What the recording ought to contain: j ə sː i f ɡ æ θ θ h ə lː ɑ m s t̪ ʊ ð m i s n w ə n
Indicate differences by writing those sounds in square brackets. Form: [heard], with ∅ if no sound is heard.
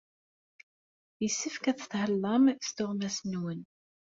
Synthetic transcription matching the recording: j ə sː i f [k] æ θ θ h ə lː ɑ m s t̪ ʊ [ʁ] m [æ] s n w ə n